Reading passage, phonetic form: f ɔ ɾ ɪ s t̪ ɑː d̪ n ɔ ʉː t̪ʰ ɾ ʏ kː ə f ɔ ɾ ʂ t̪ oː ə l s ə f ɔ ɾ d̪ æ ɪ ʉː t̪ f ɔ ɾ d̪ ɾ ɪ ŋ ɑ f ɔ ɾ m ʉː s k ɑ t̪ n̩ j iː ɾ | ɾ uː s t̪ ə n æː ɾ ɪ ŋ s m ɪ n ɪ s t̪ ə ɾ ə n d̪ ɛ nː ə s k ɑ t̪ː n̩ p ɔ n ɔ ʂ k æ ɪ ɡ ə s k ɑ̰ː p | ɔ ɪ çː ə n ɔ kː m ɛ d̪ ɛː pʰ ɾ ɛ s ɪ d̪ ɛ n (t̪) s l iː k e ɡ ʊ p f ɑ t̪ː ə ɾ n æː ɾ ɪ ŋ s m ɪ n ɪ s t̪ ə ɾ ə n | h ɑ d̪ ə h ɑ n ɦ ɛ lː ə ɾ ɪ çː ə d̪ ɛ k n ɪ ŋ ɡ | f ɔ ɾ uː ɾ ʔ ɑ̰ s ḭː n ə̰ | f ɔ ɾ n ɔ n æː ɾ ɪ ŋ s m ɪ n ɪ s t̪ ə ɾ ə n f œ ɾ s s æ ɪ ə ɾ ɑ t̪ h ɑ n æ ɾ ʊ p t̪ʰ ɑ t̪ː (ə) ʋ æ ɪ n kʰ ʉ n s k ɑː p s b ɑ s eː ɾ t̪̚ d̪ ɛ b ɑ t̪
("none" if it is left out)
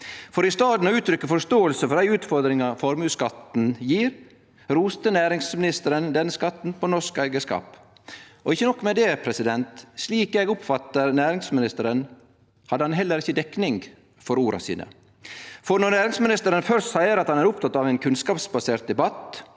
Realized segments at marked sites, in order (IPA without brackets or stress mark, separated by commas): t̪, ɑ